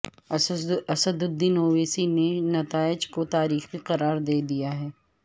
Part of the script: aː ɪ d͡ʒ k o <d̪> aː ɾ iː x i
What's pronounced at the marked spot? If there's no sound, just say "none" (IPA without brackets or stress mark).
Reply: t̪